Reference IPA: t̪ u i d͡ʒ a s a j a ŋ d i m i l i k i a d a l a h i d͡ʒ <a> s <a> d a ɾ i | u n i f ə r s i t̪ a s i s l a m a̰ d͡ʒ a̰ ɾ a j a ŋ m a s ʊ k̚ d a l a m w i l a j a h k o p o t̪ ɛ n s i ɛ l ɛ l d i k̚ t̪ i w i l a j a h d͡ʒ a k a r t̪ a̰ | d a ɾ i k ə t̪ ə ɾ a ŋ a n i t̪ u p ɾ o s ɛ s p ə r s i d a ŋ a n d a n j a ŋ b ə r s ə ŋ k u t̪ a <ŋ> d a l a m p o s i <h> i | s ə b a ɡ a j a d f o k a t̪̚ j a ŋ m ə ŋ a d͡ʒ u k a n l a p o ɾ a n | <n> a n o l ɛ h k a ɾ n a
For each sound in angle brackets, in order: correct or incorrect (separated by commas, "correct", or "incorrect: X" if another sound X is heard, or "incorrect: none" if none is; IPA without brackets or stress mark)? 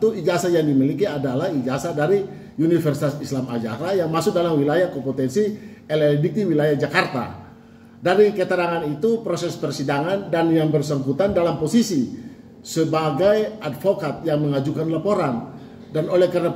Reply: correct, correct, incorrect: n, incorrect: s, incorrect: d